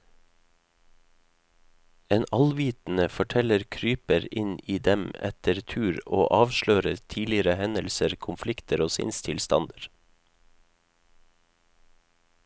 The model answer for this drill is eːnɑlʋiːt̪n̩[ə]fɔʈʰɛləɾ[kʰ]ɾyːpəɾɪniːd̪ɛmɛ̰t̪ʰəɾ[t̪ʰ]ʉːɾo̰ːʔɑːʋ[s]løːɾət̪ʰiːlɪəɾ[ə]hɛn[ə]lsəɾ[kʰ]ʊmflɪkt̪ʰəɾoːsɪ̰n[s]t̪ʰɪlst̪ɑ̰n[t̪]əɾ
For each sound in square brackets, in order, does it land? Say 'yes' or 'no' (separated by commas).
yes, yes, yes, no, yes, yes, yes, yes, no